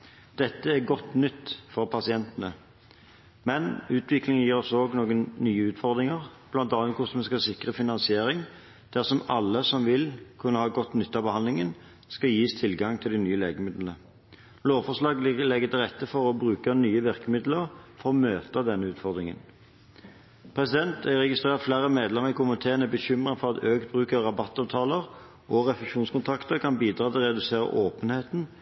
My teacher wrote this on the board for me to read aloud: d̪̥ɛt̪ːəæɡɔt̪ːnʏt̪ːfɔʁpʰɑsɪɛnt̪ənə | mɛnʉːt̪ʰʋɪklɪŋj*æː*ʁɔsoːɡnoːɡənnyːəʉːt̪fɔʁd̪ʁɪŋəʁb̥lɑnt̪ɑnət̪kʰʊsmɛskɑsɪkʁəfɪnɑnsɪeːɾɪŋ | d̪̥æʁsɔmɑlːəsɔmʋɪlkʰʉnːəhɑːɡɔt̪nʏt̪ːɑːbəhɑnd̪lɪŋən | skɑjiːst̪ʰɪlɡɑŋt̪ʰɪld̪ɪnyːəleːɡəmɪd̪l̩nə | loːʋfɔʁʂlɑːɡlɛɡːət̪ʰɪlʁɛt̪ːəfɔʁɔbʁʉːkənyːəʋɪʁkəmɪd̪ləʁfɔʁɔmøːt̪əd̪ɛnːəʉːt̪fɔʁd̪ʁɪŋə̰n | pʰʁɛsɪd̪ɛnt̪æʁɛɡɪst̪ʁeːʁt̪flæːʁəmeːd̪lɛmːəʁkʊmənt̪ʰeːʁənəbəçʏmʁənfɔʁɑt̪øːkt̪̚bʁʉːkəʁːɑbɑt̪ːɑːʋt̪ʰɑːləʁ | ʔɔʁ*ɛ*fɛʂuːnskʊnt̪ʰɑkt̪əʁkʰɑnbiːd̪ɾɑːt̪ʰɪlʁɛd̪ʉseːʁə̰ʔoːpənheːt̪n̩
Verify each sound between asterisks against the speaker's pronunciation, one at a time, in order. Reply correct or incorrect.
incorrect: iː, correct

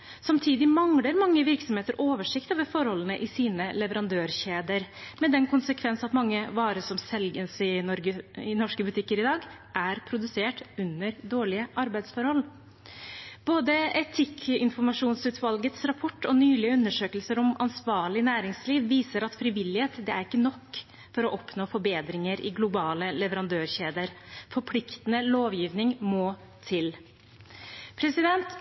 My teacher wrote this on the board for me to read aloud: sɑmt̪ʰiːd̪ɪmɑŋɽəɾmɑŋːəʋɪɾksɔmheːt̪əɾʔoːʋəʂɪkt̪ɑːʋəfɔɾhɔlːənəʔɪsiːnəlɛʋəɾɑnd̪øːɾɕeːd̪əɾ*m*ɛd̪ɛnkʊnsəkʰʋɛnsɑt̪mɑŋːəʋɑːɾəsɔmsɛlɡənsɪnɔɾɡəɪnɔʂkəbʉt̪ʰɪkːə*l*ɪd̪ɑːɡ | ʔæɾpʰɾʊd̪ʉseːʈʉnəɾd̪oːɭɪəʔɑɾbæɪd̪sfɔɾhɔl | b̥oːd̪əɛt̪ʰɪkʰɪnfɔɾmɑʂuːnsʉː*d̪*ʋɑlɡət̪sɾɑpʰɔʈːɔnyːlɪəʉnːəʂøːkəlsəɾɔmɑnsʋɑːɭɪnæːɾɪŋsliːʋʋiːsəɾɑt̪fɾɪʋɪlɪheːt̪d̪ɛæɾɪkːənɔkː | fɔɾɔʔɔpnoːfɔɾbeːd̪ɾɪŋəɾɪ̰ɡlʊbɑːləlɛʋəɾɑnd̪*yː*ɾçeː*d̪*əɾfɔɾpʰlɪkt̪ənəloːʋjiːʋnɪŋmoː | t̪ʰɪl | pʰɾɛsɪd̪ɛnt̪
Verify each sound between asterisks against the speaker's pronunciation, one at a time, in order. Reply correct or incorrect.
correct, incorrect: ɾ, incorrect: t̪, incorrect: øː, correct

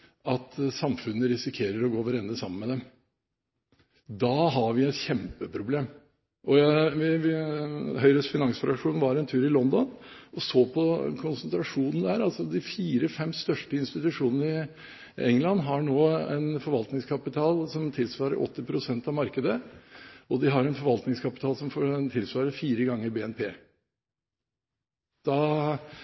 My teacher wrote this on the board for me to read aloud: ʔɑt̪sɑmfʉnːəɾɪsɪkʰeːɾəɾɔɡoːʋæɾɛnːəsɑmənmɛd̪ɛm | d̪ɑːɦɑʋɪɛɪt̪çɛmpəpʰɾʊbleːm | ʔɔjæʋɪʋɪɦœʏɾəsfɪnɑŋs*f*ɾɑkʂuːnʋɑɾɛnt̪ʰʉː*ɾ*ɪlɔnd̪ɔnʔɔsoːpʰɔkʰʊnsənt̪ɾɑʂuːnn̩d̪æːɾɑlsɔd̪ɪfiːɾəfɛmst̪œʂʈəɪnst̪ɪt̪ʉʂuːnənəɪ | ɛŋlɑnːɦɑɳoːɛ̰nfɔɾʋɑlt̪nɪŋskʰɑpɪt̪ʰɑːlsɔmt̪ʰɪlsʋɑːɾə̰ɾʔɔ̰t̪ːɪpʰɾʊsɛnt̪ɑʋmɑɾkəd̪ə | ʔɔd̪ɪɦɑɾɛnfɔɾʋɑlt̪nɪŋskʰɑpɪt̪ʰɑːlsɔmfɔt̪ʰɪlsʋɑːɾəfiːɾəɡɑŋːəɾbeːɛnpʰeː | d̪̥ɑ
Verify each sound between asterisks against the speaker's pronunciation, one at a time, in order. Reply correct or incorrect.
correct, correct

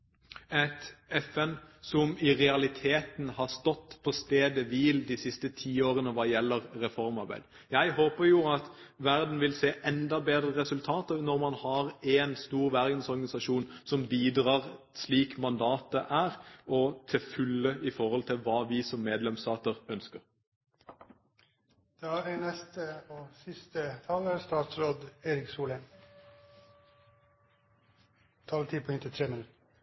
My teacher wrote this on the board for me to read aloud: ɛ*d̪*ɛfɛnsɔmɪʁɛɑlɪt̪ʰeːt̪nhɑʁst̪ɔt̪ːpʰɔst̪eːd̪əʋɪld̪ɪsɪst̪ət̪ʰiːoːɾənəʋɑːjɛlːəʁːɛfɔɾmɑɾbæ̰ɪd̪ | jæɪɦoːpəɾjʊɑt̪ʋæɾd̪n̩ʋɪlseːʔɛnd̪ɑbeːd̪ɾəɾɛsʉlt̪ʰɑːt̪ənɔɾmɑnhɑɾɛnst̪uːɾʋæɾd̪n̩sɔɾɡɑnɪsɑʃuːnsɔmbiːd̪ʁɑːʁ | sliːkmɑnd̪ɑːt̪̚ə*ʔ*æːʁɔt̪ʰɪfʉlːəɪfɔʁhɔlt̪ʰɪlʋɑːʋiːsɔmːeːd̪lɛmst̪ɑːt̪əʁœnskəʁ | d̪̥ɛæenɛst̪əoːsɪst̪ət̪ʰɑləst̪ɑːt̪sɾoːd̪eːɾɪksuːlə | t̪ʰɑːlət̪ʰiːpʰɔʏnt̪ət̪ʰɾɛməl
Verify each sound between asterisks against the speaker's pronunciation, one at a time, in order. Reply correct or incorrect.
incorrect: t̪, correct

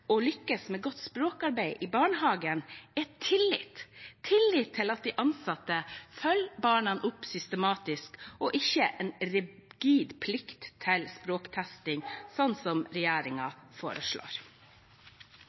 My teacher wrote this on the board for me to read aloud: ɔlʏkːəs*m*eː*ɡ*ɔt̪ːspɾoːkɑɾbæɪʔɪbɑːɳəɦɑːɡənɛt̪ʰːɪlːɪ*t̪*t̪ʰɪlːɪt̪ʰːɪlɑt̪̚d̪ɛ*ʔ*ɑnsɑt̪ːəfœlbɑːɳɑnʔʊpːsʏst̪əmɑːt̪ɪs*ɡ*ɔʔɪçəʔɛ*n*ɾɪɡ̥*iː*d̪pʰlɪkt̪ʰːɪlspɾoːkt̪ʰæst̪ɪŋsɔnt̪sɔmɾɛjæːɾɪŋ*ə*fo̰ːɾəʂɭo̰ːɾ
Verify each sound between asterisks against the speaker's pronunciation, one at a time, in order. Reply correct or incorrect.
correct, correct, correct, correct, incorrect: k, correct, correct, incorrect: ɑ

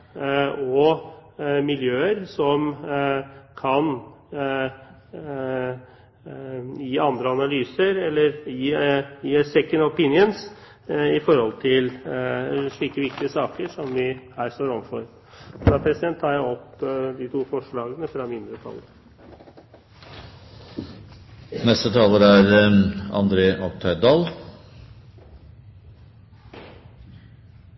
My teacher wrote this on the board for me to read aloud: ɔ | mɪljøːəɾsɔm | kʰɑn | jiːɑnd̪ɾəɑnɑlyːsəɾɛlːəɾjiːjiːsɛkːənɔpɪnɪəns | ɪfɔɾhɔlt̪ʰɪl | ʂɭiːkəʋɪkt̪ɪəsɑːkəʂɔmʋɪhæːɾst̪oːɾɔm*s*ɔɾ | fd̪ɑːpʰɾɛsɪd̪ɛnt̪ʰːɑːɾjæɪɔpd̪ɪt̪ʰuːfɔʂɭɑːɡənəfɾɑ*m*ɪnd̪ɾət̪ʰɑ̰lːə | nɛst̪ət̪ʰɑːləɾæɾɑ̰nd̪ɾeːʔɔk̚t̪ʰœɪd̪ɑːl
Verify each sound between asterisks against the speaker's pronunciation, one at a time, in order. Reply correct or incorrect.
incorrect: f, correct

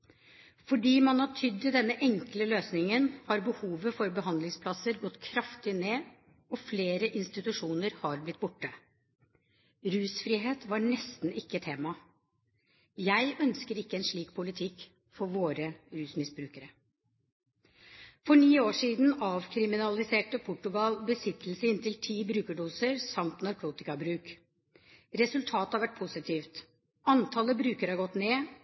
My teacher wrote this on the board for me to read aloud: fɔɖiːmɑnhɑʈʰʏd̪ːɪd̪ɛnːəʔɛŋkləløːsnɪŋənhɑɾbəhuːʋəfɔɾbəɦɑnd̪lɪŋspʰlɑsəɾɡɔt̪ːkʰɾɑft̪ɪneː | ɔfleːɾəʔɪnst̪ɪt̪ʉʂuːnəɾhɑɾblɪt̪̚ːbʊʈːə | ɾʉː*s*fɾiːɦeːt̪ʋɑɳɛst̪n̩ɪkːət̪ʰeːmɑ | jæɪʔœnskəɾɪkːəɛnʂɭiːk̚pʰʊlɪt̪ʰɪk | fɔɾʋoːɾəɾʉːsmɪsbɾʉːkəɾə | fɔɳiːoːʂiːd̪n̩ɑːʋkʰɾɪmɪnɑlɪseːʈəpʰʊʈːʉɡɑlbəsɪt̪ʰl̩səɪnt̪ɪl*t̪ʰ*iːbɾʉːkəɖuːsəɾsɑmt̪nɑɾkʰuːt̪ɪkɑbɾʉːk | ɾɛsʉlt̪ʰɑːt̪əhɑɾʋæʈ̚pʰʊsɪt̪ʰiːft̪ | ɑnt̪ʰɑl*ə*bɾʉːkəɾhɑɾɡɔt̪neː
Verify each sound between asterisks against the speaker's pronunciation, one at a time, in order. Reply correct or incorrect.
correct, correct, correct

